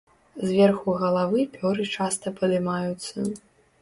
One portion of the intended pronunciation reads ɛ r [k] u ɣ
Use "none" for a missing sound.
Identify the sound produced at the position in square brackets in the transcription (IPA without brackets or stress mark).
x